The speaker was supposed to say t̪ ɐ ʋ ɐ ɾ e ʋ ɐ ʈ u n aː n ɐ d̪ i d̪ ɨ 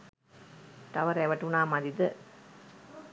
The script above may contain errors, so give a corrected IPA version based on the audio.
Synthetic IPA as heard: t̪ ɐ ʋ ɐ ɾ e ʋ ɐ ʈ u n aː m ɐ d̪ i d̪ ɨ